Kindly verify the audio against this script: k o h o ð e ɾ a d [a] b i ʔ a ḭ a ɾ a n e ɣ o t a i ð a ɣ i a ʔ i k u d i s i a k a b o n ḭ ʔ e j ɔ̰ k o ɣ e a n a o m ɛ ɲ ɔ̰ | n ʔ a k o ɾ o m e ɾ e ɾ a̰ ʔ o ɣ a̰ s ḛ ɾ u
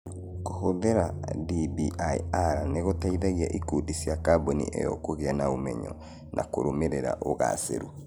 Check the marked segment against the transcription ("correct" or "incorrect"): incorrect